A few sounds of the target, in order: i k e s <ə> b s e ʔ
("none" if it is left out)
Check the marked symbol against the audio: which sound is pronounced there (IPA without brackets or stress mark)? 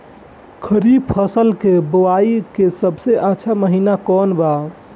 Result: ə